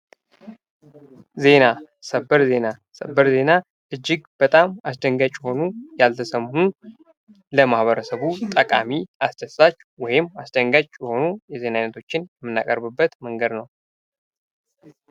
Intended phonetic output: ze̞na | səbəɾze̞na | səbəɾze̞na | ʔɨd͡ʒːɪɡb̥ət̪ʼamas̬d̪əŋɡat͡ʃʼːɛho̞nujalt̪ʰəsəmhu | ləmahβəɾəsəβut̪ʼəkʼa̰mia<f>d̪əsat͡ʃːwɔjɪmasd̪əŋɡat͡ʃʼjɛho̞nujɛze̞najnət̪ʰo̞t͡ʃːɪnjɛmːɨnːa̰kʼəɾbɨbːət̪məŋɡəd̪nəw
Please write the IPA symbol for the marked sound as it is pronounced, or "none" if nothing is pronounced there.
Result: s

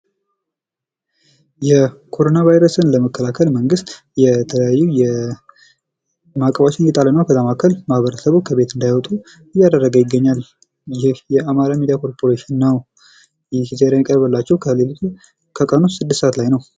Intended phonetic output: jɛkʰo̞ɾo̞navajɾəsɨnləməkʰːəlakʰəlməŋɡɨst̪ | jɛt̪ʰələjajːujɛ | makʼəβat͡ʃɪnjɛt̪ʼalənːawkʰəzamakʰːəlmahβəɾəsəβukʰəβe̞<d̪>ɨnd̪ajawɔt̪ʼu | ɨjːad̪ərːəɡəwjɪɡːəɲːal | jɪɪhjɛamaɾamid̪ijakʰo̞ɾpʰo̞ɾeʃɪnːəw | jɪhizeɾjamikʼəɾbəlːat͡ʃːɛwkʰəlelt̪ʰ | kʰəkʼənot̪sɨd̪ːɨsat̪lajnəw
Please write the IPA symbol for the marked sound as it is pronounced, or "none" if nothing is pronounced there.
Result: t̪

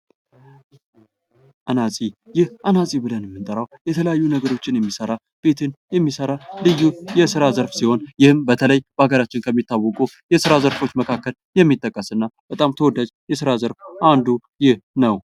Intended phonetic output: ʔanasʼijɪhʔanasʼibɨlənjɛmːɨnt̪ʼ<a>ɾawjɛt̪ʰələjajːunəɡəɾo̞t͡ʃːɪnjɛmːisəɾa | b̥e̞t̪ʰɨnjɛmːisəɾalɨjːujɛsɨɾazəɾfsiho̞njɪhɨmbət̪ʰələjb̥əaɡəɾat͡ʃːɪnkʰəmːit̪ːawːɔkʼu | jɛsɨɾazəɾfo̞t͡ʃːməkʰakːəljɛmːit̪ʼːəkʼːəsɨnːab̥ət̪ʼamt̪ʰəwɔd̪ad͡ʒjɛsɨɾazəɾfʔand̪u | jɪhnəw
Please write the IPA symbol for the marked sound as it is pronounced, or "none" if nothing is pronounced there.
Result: ə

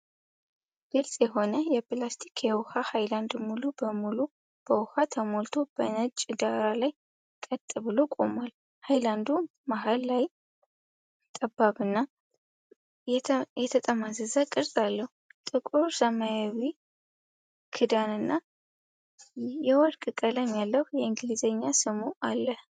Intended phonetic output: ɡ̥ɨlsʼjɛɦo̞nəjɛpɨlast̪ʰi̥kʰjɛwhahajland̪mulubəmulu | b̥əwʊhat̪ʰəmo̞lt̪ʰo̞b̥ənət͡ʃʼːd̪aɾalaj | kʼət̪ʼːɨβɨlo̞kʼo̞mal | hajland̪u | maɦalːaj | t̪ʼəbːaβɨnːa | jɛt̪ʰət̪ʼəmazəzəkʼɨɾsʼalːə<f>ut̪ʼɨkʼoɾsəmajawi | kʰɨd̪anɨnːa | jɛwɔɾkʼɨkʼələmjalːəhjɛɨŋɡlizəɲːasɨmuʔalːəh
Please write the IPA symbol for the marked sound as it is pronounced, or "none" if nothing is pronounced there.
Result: h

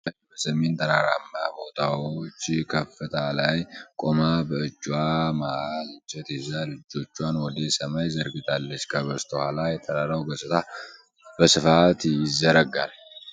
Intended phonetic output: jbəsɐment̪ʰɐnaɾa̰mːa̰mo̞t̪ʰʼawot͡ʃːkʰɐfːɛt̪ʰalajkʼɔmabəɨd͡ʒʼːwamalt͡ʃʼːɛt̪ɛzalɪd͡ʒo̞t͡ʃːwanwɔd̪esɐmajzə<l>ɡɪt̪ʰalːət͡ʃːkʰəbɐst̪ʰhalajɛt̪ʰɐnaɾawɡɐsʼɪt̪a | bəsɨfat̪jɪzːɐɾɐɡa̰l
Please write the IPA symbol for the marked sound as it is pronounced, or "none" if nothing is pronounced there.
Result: ɾ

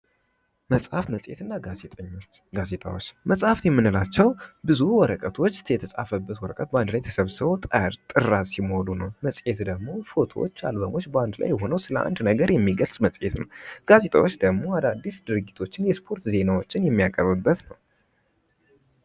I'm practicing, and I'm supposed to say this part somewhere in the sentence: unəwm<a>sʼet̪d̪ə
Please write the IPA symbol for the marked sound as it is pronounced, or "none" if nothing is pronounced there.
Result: ə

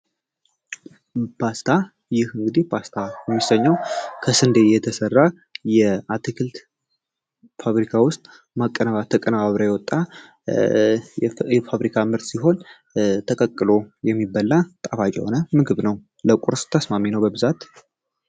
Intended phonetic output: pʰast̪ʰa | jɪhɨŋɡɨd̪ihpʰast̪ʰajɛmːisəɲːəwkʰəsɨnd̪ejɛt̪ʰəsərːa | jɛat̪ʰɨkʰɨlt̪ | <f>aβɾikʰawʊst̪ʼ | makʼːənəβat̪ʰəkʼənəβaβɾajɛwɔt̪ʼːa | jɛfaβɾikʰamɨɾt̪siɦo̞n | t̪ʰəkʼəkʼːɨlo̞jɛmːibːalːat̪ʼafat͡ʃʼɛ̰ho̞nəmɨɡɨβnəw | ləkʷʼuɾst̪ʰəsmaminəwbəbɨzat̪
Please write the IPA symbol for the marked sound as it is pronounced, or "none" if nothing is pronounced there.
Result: f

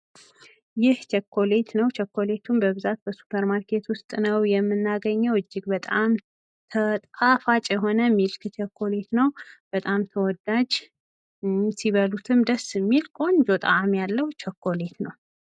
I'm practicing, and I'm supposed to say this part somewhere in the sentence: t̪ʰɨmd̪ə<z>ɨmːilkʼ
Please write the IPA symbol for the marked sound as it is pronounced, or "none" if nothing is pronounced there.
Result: s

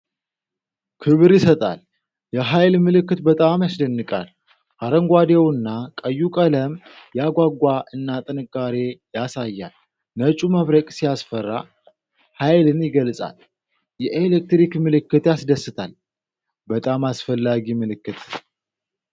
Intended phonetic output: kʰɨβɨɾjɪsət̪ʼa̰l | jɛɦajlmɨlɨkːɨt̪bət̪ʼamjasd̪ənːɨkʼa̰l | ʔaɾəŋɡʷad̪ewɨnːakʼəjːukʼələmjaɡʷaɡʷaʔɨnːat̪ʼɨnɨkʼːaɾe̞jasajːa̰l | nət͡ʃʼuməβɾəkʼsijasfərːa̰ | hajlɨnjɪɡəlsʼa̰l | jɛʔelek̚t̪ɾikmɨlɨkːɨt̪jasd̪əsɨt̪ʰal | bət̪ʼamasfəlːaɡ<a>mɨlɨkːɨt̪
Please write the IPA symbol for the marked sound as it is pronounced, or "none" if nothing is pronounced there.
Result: i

